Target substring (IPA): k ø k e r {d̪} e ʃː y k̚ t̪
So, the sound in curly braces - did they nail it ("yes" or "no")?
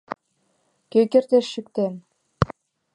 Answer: no